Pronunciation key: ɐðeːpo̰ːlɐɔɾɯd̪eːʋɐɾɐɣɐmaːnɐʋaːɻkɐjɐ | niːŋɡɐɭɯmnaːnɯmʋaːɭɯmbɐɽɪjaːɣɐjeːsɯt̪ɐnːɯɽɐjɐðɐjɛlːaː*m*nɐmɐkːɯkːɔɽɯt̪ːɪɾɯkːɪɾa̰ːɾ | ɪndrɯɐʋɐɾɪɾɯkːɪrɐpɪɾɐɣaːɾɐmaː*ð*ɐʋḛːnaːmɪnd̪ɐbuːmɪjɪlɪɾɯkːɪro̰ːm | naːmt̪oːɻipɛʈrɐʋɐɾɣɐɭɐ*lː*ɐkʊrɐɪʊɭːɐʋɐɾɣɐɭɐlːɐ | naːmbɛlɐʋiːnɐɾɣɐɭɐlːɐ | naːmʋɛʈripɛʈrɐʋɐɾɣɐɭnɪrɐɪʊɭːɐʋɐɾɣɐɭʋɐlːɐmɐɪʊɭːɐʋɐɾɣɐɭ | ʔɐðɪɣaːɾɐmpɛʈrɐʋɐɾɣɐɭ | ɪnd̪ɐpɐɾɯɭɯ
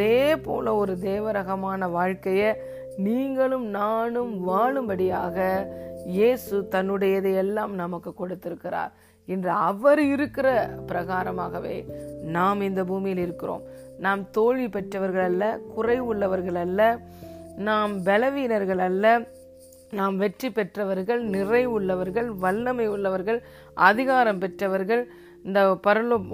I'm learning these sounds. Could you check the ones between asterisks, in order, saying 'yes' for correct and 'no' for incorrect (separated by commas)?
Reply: yes, no, yes